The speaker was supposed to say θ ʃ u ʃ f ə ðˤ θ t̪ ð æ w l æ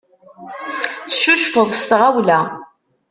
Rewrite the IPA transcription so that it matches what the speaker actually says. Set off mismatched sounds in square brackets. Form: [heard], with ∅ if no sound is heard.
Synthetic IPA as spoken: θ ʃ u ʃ f ə ðˤ [s] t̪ [ʁ] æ w l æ